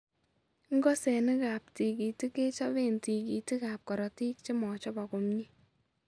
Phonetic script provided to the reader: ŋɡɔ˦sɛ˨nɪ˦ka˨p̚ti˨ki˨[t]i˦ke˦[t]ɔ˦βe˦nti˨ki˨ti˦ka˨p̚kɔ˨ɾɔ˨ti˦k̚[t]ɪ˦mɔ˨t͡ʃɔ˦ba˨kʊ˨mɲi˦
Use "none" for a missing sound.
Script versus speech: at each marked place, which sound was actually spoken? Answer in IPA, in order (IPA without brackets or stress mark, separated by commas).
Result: t, t͡ʃ, t͡ʃ